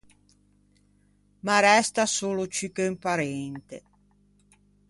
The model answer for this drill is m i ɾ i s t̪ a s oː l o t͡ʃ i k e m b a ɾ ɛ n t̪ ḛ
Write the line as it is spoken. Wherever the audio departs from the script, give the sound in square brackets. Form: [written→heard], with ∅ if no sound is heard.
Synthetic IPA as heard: m [i→a] ɾ [i→ɛ] s t̪ a s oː l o t͡ʃ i k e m [b→p] a ɾ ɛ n t̪ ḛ